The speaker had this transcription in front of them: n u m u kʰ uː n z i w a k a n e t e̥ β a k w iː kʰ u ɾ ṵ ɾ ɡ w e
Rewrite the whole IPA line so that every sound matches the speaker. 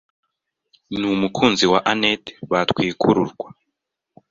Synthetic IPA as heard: n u m u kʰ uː n z i w a ʔ a n e t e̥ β a t w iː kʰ u ɾ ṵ ɾ ɡ w a

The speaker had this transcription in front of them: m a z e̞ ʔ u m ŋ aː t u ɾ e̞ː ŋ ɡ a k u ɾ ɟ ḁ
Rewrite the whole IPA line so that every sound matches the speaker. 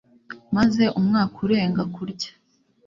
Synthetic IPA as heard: m a z e̞ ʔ u m ŋ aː k u ɾ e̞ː ŋ ɡ a k u ɾ ɟ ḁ

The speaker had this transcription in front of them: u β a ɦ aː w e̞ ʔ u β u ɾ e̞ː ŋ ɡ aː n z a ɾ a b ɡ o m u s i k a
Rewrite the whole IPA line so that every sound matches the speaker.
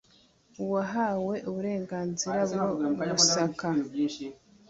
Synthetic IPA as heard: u w a ɦ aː w e̞ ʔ u β u ɾ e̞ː ŋ ɡ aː n z i ɾ a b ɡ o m u s a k a

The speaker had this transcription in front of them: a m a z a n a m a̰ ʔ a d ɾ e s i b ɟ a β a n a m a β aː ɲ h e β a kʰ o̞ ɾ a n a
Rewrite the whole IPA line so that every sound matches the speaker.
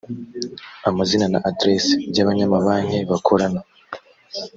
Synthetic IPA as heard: a m a z i n a n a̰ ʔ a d ɾ e s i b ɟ a β a ɲ a m a β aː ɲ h e β a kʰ o̞ ɾ a n a

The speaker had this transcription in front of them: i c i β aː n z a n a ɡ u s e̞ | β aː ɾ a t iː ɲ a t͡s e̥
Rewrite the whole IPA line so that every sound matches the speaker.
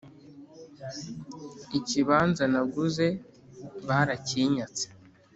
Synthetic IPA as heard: i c i β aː n z a n a ɡ u z e̞ | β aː ɾ a c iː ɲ a t͡s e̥

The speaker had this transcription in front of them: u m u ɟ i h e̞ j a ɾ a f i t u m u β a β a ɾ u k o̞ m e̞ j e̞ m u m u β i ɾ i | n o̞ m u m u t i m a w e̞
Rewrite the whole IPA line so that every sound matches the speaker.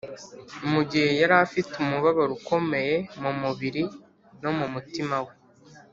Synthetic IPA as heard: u m u ɟ i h e̞ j a ɾ a f i t u m u β a β a ɾ u k o̞ m e̞ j e̞ m u m u β i ɾ i | n o̞ m u m u t i m a w e̞

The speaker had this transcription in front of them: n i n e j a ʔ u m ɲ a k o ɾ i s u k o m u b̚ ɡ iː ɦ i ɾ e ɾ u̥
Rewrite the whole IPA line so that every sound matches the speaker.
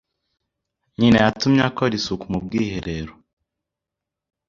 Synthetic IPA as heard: ɲ i n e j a t u m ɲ a k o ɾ i s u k u m u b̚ ɡ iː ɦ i ɾ e ɾ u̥

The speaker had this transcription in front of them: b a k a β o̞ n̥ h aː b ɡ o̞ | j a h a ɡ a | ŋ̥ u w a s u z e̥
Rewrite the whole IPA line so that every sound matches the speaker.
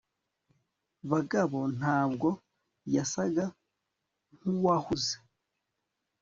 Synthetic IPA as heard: β a ɡ a β o̞ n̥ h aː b ɡ o̞ | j a s a ɡ a | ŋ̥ u w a h u z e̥

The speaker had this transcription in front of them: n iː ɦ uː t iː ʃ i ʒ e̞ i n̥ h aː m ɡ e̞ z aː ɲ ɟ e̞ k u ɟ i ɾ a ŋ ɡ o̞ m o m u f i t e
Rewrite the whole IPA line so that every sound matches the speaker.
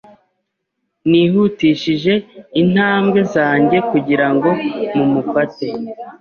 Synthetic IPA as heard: n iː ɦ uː t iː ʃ i ʒ e̞ i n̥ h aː m ɡ e̞ z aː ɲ ɟ e̞ k u ɟ i ɾ a ŋ ɡ o̞ m u m u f a t e

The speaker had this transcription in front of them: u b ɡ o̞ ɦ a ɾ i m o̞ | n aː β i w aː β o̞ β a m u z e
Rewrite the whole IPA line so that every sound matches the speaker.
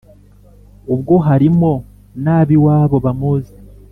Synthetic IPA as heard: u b ɡ o̞ ɦ a ɾ i m o̞ | n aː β i w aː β o̞ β a m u z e

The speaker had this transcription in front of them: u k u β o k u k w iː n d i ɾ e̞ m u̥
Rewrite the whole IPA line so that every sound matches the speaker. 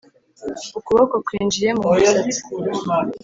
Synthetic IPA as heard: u k u β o k o k w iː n d͡ʒ i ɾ e̞ m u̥

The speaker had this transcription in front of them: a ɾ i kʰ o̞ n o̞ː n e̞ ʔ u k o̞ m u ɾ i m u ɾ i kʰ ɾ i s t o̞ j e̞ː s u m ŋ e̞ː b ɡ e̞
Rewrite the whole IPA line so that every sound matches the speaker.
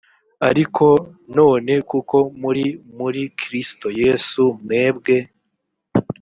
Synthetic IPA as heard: a ɾ i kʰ o̞ n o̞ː n e̞ k u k o̞ m u ɾ i m u ɾ i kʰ ɾ i s t o̞ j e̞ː s u m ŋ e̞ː b ɡ e̞

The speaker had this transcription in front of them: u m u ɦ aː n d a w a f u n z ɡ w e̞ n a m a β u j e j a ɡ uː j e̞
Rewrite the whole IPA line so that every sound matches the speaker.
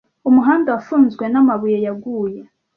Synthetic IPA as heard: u m u ɦ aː n d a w a f uː n z ɡ w e̞ n a m a β u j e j a ɡ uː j e̞

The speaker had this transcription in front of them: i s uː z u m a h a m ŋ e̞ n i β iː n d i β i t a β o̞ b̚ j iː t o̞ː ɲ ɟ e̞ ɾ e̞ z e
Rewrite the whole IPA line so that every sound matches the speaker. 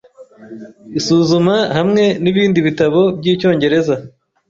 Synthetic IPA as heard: i s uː z u m a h a m ŋ e̞ n i β iː n d i β i t a β o̞ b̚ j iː c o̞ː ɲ ɟ e̞ ɾ e̞ z a

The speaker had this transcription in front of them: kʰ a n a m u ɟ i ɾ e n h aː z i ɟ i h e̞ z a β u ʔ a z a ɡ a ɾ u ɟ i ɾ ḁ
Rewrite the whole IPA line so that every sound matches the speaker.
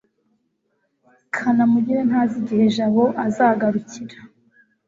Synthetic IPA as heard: kʰ a n a m u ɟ i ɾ e n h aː z i ɟ i h e̞ ʒ a β o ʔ a z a ɡ a ɾ u c i ɾ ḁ

